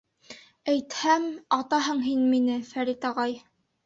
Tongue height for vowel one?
low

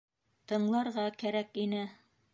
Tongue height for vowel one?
mid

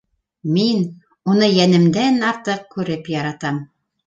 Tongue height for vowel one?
high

